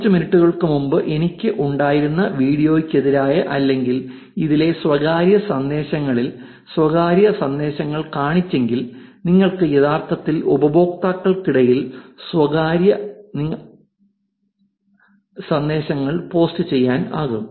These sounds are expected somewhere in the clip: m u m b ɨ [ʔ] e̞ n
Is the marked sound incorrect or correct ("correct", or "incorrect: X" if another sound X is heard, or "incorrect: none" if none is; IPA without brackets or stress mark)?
correct